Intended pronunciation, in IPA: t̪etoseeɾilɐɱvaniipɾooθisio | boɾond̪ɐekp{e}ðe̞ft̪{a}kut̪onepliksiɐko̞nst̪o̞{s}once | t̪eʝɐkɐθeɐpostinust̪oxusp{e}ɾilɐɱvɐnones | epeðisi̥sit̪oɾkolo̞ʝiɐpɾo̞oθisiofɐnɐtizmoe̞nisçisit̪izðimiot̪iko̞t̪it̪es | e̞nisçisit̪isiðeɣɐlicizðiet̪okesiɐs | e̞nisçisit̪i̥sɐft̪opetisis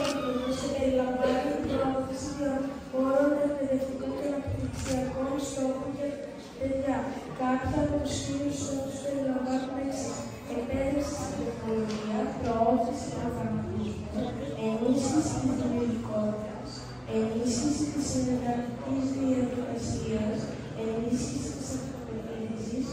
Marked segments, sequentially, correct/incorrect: correct, incorrect, incorrect, correct

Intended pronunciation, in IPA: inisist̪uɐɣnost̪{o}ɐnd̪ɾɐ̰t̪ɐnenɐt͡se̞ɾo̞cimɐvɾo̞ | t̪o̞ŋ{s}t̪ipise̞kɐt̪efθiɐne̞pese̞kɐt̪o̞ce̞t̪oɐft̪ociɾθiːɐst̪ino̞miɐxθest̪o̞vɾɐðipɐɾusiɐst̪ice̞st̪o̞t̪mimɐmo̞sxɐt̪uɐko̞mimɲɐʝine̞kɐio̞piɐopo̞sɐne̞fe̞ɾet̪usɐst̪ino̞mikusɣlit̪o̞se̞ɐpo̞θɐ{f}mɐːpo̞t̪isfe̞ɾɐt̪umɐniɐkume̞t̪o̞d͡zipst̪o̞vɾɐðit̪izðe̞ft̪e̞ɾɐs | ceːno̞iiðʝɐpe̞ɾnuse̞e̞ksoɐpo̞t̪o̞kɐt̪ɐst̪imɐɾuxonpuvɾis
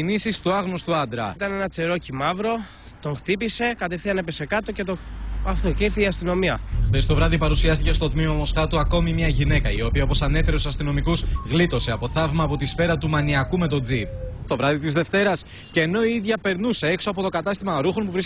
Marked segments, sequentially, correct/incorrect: incorrect, incorrect, incorrect

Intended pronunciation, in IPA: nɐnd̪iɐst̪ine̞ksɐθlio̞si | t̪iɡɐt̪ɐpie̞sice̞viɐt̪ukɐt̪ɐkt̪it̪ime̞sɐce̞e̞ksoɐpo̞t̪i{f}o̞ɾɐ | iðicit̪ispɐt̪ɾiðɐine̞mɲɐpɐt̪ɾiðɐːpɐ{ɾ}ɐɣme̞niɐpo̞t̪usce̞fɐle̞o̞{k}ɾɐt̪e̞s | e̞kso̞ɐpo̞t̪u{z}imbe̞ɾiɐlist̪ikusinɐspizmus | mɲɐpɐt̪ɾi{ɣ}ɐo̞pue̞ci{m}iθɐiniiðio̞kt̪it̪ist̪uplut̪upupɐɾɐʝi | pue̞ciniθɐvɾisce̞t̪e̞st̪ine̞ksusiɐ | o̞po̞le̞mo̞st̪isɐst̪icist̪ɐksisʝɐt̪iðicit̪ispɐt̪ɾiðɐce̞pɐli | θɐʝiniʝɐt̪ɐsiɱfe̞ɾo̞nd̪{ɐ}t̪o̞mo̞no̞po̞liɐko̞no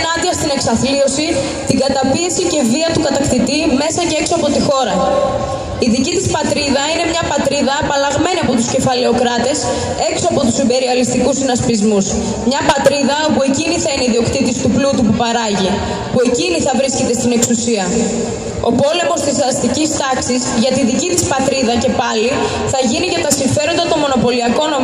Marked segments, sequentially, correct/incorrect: incorrect, incorrect, correct, incorrect, incorrect, incorrect, correct

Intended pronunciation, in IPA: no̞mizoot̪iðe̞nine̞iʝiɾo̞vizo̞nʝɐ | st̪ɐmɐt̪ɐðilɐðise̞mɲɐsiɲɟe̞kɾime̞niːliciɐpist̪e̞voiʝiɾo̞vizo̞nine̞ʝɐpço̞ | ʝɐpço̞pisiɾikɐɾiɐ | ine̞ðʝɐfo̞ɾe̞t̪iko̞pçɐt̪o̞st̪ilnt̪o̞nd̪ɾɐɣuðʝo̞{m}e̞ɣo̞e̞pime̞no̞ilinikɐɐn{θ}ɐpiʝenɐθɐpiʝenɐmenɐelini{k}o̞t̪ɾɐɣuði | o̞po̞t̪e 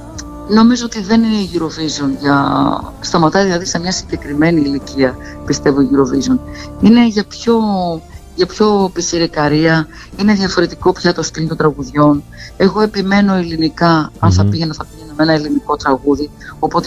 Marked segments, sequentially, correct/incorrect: incorrect, correct, correct

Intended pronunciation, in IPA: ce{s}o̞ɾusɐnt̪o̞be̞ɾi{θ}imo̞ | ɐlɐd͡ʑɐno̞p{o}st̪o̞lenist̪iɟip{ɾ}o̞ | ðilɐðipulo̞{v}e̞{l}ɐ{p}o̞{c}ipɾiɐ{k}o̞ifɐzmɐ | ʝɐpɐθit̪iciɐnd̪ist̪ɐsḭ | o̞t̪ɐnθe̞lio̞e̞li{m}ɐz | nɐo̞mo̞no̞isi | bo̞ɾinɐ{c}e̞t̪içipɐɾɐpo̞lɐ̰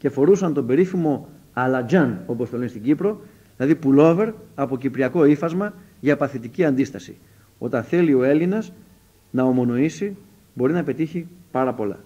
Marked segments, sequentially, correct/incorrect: incorrect, incorrect, correct, correct, correct, incorrect, correct, correct, correct, incorrect, incorrect

